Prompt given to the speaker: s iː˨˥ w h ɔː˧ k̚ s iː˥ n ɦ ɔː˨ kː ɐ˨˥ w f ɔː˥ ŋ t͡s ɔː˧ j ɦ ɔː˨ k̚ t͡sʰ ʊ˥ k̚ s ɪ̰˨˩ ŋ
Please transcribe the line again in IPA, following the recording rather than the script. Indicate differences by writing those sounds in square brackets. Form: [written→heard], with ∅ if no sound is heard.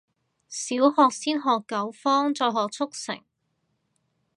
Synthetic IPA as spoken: s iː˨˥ w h ɔː˧ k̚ s iː˥ n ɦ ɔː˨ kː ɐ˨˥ w f ɔː˥ ŋ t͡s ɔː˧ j ɦ ɔː˨ k̚ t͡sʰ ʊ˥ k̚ s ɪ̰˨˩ ŋ